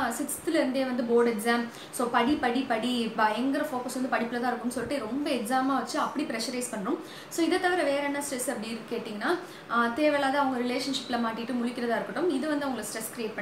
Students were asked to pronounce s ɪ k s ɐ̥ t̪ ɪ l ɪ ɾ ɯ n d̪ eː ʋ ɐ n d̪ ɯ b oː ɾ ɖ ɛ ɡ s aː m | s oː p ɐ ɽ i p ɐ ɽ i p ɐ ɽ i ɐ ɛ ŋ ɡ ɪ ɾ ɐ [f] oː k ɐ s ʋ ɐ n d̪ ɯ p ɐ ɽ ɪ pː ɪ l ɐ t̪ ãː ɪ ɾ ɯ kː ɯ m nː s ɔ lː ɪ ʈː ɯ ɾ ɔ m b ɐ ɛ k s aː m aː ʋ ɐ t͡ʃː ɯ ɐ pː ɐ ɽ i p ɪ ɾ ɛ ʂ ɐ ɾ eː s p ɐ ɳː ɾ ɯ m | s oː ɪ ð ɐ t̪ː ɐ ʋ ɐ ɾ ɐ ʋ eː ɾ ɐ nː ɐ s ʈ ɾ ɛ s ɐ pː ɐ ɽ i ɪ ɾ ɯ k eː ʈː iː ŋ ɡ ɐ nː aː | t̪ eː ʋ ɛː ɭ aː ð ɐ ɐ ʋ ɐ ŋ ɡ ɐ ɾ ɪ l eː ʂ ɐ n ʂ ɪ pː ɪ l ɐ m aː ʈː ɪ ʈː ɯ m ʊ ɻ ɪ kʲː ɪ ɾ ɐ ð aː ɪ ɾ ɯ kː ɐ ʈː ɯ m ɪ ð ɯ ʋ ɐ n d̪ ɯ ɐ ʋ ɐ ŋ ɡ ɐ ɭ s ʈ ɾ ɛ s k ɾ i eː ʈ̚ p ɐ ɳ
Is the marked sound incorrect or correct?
correct